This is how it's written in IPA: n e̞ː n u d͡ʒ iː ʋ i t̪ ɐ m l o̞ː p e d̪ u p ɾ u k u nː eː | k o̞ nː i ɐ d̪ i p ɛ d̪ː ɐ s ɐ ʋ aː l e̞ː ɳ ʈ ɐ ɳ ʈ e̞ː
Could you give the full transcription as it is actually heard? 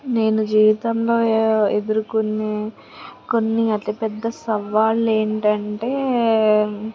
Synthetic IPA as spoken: n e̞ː n u d͡ʒ iː ʋ i t̪ ɐ m l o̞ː e d̪ u ɾ u k u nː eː | k o̞ nː i ɐ t̪ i p ɛ d̪ː ɐ s ɐ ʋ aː l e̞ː ɳ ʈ ɐ ɳ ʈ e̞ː